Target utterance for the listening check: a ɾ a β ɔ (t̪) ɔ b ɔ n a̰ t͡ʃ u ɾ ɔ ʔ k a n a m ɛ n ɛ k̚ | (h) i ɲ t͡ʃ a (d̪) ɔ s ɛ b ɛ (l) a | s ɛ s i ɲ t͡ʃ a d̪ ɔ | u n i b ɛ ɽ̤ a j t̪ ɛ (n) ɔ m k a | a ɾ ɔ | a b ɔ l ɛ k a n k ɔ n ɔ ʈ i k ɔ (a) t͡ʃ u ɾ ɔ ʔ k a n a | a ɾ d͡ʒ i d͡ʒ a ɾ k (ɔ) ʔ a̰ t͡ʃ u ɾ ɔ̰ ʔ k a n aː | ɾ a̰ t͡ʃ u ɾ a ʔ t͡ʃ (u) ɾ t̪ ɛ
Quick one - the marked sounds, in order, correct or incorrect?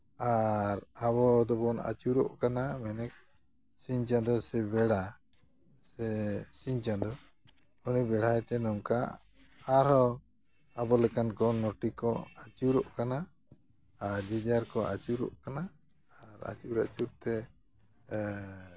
incorrect, incorrect, correct, incorrect, correct, correct, correct, correct

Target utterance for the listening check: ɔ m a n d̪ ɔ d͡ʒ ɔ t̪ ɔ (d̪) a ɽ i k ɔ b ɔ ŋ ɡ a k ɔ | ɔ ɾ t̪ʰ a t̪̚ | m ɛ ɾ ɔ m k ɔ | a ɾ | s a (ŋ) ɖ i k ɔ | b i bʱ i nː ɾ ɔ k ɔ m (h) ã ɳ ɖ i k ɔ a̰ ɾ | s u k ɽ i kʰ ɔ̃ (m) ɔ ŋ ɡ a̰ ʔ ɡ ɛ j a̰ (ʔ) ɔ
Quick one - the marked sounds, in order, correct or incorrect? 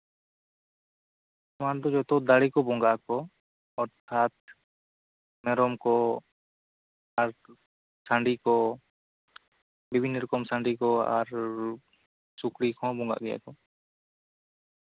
correct, incorrect, incorrect, incorrect, incorrect

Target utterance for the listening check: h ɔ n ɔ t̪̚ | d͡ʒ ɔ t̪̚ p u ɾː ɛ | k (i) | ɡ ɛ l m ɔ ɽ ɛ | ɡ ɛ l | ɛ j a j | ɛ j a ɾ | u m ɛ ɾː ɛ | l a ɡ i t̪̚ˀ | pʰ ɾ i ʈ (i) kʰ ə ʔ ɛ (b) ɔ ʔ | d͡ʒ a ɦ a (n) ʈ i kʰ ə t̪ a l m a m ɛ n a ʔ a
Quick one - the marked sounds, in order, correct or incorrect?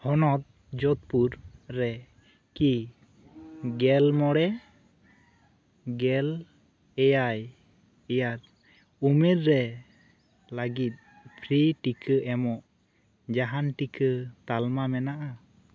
correct, correct, incorrect, correct

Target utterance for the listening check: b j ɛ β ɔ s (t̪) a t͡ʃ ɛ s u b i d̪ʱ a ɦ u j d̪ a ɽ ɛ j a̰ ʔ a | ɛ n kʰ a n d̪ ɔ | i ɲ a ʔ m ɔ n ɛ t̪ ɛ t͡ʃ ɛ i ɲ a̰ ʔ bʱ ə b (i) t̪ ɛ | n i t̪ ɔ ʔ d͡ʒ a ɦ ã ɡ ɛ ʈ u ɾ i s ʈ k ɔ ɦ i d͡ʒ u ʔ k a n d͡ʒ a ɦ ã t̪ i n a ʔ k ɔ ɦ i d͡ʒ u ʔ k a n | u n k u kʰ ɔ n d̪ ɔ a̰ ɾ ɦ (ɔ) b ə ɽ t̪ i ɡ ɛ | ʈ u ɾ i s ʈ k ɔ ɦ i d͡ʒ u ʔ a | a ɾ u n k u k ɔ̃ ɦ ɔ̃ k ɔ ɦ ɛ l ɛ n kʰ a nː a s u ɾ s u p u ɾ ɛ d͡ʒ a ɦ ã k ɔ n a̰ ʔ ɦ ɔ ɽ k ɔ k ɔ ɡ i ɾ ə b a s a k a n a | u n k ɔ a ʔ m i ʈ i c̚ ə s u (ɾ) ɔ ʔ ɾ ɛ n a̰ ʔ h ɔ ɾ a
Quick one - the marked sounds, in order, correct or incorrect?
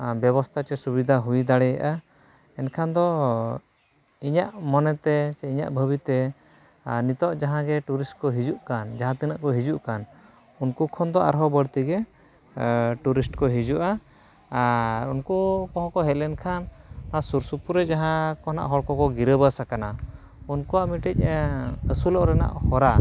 incorrect, correct, correct, incorrect

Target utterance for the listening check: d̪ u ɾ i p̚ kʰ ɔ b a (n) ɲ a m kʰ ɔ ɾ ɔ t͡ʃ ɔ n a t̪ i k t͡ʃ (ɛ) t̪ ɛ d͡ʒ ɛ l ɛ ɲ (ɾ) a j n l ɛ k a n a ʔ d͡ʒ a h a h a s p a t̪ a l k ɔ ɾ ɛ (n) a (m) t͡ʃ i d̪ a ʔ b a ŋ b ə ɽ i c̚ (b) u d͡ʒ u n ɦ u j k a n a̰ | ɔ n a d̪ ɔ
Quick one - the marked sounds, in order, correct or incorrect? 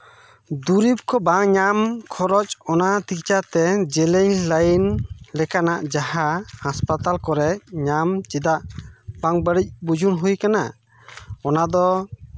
incorrect, incorrect, incorrect, incorrect, correct, correct

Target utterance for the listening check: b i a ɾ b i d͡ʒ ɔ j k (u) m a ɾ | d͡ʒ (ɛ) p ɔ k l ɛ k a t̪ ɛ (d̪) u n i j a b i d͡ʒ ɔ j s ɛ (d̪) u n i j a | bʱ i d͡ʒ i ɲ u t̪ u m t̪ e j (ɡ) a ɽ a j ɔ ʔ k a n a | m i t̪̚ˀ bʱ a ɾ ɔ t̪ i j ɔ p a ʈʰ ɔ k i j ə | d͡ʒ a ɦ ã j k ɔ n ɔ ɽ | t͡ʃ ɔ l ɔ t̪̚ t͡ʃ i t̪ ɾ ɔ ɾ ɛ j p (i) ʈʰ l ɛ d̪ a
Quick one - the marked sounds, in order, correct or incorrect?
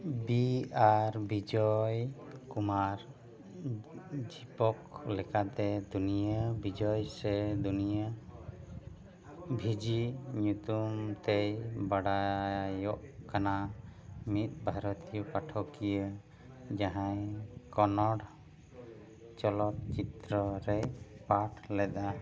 correct, incorrect, correct, correct, incorrect, incorrect

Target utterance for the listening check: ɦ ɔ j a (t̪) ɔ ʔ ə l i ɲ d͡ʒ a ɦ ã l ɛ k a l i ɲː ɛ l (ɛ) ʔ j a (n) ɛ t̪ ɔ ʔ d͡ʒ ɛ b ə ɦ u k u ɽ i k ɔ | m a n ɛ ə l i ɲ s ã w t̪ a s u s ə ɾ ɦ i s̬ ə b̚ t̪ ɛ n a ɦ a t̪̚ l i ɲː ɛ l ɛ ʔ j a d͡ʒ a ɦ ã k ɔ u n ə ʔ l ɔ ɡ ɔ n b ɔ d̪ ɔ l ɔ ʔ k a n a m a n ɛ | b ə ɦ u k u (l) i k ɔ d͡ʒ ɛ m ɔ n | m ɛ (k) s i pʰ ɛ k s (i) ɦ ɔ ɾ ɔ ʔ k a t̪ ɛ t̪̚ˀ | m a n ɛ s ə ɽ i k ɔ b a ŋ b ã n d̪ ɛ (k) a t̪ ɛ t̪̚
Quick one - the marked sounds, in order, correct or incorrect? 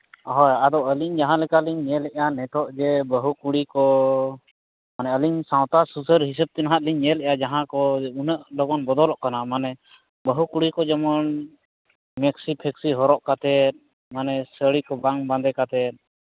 incorrect, correct, correct, incorrect, correct, correct, correct

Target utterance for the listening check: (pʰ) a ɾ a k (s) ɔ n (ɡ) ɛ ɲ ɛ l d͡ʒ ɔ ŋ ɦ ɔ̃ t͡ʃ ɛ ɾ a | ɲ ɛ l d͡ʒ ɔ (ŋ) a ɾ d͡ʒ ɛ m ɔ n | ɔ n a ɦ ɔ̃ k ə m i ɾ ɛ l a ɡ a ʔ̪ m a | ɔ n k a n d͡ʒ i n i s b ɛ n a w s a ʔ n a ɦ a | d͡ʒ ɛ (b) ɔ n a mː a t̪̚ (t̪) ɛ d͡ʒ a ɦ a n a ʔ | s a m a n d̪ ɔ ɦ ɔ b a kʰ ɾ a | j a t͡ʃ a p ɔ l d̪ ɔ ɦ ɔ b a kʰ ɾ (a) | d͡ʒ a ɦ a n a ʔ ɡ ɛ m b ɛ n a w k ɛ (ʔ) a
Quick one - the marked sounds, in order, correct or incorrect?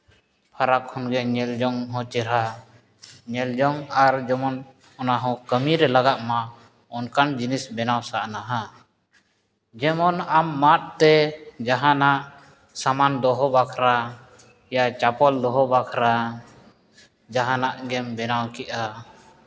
correct, incorrect, correct, correct, incorrect, correct, correct, correct

